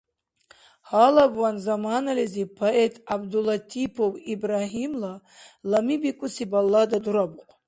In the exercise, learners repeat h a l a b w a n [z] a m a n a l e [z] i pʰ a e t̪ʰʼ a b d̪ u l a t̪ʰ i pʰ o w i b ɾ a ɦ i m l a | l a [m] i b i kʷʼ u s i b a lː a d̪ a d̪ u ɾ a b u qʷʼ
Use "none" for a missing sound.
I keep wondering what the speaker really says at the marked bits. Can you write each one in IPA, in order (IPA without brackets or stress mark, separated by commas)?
z, z, m